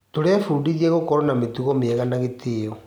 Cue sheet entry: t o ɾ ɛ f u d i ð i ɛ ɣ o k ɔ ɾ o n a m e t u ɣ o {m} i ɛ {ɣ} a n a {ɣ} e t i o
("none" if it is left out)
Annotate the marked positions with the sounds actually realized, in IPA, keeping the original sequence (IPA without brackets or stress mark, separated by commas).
m, ɣ, ɣ